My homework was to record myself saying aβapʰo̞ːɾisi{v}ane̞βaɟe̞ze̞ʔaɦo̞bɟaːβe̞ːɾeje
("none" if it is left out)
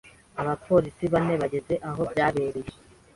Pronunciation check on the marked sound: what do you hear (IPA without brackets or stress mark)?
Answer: β